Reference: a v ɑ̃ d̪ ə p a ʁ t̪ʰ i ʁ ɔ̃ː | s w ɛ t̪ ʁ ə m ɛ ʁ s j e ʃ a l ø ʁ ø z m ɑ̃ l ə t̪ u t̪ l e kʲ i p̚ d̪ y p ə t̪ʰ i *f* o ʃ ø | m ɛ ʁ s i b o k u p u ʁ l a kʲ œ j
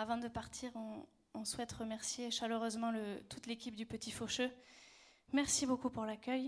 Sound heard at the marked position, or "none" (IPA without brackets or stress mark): f